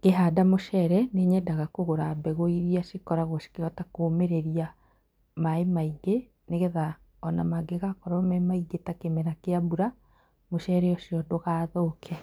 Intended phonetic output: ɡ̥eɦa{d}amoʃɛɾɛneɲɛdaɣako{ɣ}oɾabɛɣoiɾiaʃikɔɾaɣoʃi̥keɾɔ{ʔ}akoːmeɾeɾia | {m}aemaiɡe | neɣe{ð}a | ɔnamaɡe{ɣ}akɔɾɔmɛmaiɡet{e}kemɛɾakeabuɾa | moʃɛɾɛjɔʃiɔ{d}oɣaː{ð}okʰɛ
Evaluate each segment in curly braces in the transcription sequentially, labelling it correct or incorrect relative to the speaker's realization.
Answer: correct, correct, incorrect: t, correct, correct, correct, incorrect: a, correct, correct

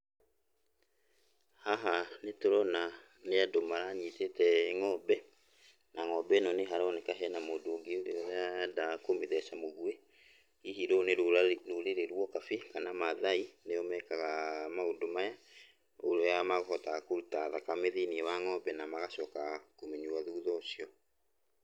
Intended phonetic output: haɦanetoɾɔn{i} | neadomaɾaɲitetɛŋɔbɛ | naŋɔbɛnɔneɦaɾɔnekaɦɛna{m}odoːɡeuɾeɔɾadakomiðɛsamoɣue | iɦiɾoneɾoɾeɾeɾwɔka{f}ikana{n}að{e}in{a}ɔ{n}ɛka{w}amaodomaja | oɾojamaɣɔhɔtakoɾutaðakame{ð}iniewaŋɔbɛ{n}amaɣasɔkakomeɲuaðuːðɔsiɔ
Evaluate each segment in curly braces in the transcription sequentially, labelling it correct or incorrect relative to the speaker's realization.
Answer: incorrect: a, correct, correct, incorrect: m, incorrect: a, incorrect: e, incorrect: m, incorrect: ɣ, correct, correct

